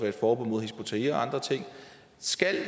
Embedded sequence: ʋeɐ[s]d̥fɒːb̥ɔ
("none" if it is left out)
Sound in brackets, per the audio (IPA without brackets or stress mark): none